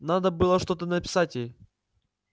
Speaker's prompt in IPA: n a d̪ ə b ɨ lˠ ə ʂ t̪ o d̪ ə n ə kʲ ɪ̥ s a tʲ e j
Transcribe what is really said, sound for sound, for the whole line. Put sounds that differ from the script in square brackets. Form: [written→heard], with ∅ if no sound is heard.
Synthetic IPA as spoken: n a d̪ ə b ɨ lˠ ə ʂ t̪ o [d̪→t̪] ə n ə [kʲ→pʲ] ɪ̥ s a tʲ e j